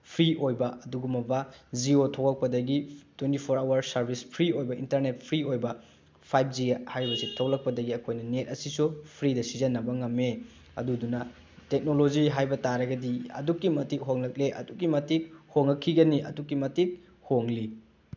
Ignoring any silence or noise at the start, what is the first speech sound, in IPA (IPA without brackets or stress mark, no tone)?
pʰ